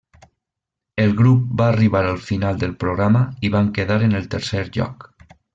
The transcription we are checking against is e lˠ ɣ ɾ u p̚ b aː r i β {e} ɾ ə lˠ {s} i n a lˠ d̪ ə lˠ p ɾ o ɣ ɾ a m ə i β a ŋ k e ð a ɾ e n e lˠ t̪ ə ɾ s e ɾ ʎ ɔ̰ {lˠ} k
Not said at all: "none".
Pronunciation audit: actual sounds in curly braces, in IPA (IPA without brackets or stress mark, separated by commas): a, f, none